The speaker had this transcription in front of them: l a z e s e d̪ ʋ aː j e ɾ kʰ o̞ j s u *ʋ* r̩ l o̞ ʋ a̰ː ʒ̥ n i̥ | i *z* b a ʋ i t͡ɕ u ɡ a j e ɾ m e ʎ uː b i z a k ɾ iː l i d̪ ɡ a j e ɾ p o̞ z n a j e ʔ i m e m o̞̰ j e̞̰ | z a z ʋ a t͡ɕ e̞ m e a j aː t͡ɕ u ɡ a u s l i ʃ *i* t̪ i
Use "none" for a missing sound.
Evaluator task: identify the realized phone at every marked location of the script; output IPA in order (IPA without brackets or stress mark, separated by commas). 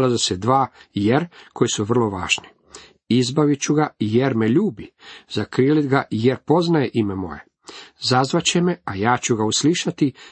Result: ʋ, z, a